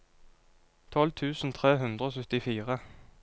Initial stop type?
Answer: aspirated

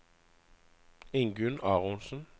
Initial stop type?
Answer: plain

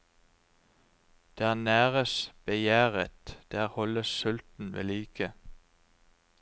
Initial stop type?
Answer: plain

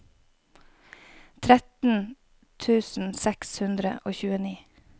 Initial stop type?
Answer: aspirated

